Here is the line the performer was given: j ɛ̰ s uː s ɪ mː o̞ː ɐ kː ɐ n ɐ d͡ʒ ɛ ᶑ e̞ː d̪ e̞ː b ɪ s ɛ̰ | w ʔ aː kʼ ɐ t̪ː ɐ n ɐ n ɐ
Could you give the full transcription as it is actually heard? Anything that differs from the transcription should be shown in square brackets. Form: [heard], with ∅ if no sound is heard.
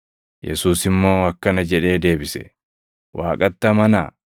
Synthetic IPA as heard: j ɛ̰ s uː s ɪ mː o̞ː ɐ kː ɐ n ɐ d͡ʒ ɛ ᶑ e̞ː d̪ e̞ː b ɪ s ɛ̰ | w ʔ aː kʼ ɐ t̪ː ɐ [m] ɐ n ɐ